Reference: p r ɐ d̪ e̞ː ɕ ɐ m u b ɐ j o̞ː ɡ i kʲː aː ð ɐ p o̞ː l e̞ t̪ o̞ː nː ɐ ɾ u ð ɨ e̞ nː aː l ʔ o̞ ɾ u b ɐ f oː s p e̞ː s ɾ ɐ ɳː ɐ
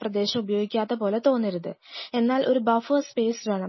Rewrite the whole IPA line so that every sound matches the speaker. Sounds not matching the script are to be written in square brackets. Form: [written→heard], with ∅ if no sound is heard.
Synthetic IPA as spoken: p r ɐ d̪ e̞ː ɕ ɐ m u b ɐ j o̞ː ɡ i kʲː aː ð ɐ p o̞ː l e̞ t̪ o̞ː nː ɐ ɾ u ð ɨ e̞ nː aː l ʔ o̞ ɾ u b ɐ f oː s p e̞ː s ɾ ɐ [ɳː→ɳ] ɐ